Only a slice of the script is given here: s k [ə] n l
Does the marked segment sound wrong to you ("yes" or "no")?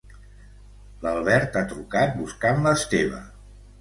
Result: yes